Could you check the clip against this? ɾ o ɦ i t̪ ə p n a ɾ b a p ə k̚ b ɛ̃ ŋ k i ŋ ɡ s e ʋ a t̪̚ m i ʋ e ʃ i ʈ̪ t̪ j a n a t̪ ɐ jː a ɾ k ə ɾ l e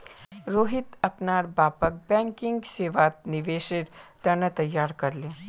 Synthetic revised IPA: ɾ o ɦ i t̪ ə p n a ɾ b a p ə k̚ b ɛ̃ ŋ k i ŋ ɡ s e ʋ a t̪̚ n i ʋ e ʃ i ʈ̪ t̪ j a n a t̪ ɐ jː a ɾ k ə ɾ l e